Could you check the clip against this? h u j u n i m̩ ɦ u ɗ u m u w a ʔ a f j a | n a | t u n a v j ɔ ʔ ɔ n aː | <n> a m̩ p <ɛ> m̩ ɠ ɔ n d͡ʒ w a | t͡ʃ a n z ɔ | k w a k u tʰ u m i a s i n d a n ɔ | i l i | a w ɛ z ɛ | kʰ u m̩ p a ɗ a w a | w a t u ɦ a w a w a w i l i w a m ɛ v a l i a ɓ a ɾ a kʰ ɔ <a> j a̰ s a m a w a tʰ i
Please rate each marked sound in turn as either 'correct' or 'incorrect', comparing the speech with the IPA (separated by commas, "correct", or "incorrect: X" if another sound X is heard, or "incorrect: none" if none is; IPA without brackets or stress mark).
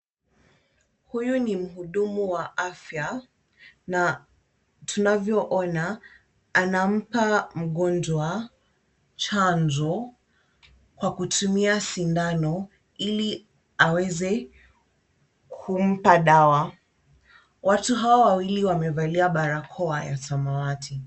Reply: correct, incorrect: a, correct